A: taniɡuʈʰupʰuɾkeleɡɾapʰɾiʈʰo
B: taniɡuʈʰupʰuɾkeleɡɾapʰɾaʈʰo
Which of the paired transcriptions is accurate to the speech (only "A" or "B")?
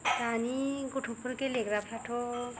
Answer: B